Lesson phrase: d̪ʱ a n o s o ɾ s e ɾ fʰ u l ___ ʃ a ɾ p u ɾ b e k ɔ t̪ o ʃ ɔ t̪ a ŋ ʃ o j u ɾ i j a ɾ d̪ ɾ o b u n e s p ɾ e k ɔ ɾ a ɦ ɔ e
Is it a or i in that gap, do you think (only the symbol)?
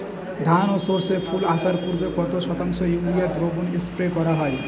a